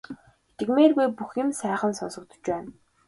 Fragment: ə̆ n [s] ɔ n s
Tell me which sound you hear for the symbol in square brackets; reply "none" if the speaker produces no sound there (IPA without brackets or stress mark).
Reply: s